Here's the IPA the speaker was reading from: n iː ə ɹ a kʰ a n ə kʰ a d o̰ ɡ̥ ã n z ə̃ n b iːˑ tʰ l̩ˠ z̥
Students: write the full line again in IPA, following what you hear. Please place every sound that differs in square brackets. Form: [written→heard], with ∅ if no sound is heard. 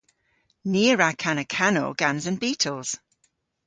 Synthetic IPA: n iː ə ɹ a kʰ a n ə kʰ a [d→n] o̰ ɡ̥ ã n z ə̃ n b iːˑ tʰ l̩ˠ z̥